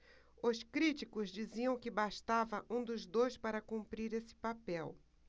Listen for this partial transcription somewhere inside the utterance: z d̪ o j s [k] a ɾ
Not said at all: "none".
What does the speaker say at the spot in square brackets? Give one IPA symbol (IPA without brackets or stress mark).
p